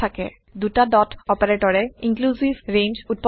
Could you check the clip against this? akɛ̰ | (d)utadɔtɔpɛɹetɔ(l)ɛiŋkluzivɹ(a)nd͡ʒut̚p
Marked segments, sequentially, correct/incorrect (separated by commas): correct, incorrect, incorrect